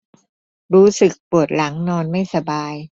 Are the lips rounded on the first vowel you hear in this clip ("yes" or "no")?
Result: yes